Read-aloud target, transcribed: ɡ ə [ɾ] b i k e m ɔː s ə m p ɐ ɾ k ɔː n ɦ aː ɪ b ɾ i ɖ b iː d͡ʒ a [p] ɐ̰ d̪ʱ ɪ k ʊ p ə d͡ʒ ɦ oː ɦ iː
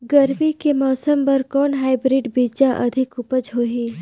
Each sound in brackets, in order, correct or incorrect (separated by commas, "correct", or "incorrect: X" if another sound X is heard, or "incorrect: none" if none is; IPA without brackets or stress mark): correct, incorrect: ʔ